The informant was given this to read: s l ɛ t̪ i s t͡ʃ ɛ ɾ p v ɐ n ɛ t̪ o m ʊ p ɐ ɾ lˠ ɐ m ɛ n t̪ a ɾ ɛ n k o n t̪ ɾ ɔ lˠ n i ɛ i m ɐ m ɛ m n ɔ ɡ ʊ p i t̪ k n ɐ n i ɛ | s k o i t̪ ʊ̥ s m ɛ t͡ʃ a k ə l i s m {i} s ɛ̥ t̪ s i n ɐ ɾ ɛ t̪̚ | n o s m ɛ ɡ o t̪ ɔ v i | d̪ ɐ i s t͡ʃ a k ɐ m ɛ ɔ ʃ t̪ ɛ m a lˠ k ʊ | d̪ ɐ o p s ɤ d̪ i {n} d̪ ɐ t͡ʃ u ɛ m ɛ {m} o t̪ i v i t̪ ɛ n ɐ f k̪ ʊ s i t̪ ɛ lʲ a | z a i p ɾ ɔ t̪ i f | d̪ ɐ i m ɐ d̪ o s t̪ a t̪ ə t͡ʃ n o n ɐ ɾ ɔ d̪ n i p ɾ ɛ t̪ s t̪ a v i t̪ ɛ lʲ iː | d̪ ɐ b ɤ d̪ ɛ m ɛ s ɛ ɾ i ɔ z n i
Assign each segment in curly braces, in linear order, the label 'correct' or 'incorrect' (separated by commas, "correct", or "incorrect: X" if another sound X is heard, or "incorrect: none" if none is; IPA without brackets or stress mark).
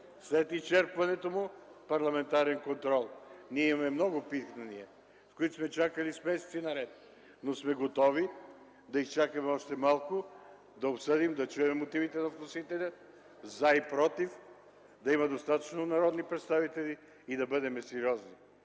incorrect: ɛ, incorrect: m, correct